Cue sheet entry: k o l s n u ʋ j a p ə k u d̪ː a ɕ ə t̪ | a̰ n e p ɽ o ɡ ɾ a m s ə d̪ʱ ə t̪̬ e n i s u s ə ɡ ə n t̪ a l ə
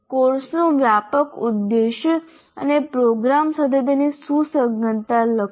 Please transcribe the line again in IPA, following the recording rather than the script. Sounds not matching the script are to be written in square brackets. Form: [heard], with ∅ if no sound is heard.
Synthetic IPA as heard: k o [ɾ] s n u ʋ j a p ə k u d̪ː [e] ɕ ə [∅] | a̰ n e p [ɾ] o ɡ ɾ a m s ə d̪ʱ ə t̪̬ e n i s u s ə ɡ ə n t̪ a l ə